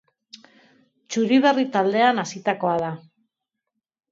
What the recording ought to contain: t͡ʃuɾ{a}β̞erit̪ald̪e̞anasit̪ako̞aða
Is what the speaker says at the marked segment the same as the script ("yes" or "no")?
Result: no